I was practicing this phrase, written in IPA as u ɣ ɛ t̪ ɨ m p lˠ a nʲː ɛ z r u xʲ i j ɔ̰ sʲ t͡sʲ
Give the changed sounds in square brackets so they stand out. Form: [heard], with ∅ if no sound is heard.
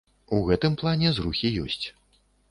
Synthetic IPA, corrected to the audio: u ɣ ɛ t̪ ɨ m p lˠ a [nʲ] ɛ z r u xʲ i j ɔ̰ sʲ t͡sʲ